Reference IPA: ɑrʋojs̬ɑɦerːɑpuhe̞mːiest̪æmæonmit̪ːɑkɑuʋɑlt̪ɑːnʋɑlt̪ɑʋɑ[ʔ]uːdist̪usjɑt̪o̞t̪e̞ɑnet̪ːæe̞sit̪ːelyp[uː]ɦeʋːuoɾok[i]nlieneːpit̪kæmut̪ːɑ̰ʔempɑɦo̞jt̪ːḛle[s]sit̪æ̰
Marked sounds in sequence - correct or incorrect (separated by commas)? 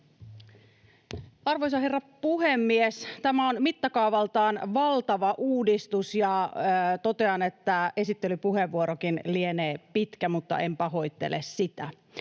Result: correct, incorrect, correct, correct